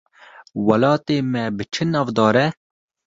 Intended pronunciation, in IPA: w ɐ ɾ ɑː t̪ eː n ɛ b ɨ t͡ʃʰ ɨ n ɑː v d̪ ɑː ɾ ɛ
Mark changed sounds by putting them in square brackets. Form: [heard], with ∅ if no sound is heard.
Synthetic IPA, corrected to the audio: w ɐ [l] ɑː t̪ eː [m] ɛ b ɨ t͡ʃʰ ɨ n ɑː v d̪ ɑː ɾ ɛ